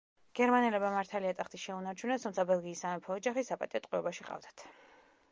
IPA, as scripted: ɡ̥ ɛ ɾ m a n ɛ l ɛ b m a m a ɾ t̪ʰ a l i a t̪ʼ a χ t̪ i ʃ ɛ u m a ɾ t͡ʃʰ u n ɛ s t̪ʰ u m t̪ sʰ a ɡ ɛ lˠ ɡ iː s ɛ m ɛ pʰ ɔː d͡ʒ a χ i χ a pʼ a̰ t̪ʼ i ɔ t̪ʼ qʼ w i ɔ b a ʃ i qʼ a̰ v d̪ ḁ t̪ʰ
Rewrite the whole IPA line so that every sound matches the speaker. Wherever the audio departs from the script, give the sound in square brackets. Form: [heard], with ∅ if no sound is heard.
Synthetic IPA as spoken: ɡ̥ ɛ ɾ m a n ɛ l ɛ b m a m a ɾ t̪ʰ a l i a t̪ʼ a χ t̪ i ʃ ɛ u [n] a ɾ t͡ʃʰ u n ɛ s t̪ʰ u m t̪ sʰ a [b] ɛ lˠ ɡ iː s [a] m ɛ pʰ ɔː d͡ʒ a χ i [s] a pʼ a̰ t̪ʼ i ɔ t̪ʼ qʼ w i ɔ b a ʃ i qʼ a̰ v d̪ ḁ t̪ʰ

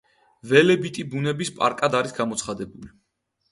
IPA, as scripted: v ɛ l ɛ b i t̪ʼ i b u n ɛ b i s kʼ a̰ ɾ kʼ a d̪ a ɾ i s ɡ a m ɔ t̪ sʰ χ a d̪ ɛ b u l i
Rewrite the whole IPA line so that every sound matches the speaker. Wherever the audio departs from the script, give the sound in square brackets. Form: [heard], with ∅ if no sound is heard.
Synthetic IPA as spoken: v ɛ l ɛ b i t̪ʼ i b u n ɛ b i s [pʼ] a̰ ɾ kʼ a d̪ a ɾ i s ɡ a m ɔ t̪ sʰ χ a d̪ ɛ b u l i

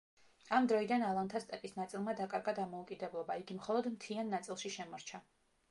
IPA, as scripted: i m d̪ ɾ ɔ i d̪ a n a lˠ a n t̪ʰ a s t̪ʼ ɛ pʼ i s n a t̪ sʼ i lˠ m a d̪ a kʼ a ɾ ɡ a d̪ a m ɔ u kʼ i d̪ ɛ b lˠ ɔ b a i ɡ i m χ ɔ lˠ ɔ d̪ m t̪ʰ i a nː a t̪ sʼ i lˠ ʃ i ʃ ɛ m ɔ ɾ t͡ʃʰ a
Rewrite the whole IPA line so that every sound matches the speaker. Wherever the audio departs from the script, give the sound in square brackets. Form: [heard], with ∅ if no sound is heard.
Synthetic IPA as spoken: [a] m d̪ ɾ ɔ i d̪ a n a lˠ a n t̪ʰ a s t̪ʼ ɛ pʼ i s n a t̪ sʼ i lˠ m a d̪ a kʼ a ɾ ɡ a d̪ a m ɔ u kʼ i d̪ ɛ b lˠ ɔ b a i ɡ i m χ ɔ lˠ ɔ d̪ m t̪ʰ i a nː a t̪ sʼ i lˠ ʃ i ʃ ɛ m ɔ ɾ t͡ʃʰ a

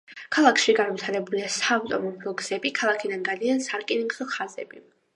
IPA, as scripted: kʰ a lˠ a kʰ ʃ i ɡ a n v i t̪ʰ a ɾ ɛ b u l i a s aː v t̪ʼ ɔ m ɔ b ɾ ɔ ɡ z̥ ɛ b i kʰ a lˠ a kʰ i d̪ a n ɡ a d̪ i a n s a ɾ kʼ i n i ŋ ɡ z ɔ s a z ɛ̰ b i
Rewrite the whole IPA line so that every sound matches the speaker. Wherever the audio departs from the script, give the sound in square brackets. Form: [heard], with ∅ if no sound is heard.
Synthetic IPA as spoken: kʰ a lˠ a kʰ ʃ i ɡ a n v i t̪ʰ a ɾ ɛ b u l i a s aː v t̪ʼ ɔ m ɔ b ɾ ɔ ɡ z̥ ɛ b i kʰ a lˠ a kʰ i d̪ a n ɡ a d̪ i a n s a ɾ kʼ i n i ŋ ɡ z ɔ [χ] a z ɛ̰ b i

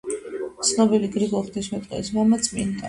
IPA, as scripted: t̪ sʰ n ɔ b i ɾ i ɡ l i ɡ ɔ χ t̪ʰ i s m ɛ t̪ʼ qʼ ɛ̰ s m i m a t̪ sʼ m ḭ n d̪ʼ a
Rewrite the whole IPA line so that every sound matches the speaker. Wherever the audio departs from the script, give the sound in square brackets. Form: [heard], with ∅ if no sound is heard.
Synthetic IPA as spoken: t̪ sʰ n ɔ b i [l] i ɡ [ɾ] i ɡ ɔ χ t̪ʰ i s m ɛ t̪ʼ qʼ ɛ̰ s m [a] m a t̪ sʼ m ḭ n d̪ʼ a

